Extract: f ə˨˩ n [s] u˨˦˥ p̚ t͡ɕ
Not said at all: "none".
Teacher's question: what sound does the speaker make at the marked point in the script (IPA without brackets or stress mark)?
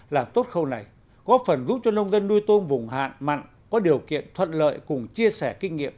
z